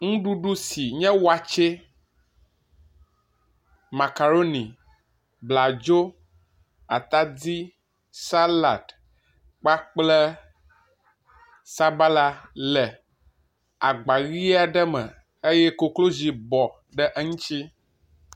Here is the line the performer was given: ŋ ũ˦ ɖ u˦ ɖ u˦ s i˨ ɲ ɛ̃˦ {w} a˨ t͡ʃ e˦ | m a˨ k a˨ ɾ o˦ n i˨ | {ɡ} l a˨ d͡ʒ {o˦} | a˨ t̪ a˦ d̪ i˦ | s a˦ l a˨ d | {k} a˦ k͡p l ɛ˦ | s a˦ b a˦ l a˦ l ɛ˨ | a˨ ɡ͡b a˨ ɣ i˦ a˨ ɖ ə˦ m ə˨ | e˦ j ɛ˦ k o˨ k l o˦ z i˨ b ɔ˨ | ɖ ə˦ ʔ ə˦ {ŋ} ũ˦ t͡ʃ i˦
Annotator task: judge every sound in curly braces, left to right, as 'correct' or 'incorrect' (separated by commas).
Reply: correct, incorrect, correct, incorrect, correct